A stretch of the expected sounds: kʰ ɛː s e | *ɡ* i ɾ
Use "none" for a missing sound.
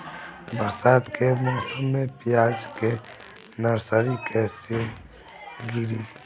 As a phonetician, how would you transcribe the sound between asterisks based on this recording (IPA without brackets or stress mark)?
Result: ɡ